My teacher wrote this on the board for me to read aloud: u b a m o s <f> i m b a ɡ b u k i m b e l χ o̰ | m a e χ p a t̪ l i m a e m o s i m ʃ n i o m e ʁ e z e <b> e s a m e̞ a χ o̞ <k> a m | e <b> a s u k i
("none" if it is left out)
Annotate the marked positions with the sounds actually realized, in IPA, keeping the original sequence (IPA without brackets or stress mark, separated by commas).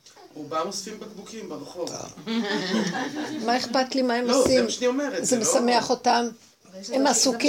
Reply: f, m, t, m